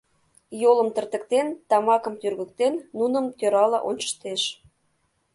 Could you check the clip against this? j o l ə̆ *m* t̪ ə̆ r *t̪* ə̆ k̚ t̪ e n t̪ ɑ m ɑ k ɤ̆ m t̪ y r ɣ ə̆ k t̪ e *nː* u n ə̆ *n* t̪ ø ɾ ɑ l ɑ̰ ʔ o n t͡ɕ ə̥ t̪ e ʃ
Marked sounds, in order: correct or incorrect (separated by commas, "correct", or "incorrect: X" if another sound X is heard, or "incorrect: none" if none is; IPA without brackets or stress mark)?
correct, correct, correct, incorrect: m